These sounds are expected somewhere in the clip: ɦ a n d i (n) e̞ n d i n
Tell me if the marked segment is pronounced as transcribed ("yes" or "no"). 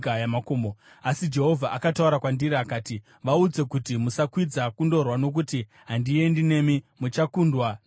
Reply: no